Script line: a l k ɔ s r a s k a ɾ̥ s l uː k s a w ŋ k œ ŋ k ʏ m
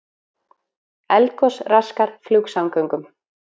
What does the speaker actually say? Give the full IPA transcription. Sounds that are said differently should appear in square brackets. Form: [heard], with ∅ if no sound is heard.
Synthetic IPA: [ɛ] l k ɔ s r a s k a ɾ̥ [f] l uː k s a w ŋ k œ ŋ k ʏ m